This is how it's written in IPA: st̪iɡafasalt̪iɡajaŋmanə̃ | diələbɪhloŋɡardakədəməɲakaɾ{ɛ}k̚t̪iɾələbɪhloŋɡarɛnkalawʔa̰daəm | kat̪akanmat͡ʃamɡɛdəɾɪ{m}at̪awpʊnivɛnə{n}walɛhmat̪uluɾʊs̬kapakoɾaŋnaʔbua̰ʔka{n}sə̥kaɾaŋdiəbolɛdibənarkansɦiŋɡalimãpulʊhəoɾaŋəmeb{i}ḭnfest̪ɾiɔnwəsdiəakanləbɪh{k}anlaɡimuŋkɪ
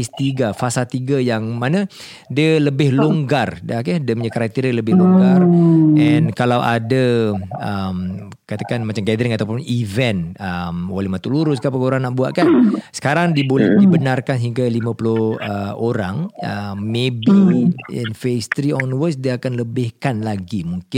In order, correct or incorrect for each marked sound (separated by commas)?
incorrect, incorrect, incorrect, correct, correct, correct